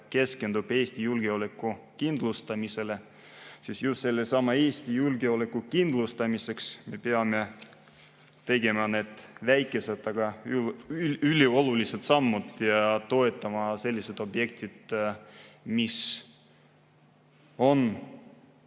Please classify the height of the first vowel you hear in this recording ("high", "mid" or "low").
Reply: mid